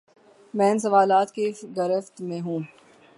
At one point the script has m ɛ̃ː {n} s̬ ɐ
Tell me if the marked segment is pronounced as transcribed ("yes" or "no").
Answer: yes